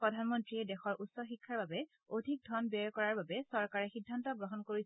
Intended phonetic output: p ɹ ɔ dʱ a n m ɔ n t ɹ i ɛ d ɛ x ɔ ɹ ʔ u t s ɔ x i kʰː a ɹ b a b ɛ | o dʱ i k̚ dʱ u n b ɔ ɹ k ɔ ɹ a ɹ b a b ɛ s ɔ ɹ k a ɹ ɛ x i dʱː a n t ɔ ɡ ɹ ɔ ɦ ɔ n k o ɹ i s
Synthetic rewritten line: p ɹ ɔ dʱ a n m ɔ n t ɹ i ɛ d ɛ x ɔ ɹ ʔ u t s ɔ x i kʰː a ɹ b a b ɛ | o dʱ i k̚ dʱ ɔ n b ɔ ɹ k ɔ ɹ a ɹ b a b ɛ s ɔ ɹ k a ɹ ɛ x i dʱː a n t ɔ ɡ ɹ ɔ ɦ ɔ n k o ɹ i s